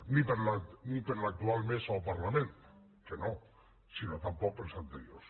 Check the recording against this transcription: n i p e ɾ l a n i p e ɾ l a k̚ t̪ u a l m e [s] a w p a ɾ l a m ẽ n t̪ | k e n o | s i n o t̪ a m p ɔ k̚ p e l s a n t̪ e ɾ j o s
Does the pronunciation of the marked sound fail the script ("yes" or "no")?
no